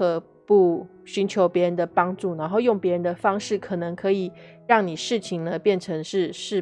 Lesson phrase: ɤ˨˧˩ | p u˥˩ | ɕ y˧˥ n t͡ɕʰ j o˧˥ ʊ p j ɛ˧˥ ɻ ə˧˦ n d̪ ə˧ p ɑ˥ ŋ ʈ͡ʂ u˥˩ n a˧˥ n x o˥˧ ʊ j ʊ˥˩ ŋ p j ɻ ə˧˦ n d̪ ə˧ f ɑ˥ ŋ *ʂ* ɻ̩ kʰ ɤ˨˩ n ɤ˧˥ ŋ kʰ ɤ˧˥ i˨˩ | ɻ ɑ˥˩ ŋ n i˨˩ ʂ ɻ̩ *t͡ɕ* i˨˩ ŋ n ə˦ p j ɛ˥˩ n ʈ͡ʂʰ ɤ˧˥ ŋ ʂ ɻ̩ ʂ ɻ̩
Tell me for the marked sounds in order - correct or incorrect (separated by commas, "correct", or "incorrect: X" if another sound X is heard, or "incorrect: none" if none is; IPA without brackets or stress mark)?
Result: correct, incorrect: t͡ɕʰ